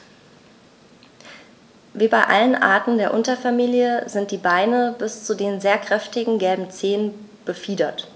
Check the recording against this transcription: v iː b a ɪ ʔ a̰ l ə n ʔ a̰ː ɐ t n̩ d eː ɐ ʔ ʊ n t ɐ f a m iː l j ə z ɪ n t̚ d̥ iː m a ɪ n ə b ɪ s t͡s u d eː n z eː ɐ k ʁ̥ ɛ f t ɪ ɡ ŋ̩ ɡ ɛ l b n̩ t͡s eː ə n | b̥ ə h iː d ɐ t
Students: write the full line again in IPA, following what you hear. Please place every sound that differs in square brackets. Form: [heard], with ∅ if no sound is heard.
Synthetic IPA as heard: v iː b a ɪ ʔ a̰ l ə n ʔ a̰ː ɐ t n̩ d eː ɐ ʔ ʊ n t ɐ f a m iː l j ə z ɪ n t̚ d̥ iː [b] a ɪ n ə b ɪ s t͡s u d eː n z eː ɐ k ʁ̥ ɛ f t ɪ ɡ ŋ̩ ɡ ɛ l b [m̩] t͡s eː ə n | b̥ ə [f] iː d ɐ t